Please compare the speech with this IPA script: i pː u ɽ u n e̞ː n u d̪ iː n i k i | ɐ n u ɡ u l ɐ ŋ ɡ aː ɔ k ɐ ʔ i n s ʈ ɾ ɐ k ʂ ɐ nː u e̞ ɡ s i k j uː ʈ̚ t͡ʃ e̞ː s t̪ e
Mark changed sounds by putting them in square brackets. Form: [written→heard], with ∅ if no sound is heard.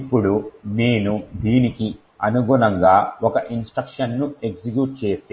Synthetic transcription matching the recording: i pː u ɽ u n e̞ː n u d̪ iː n i k i | ɐ n u ɡ u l ɐ ŋ ɡ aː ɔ k ɐ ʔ i n s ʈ ɾ ɐ k ʂ ɐ nː u e̞ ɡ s i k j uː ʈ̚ t͡ʃ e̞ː s t̪ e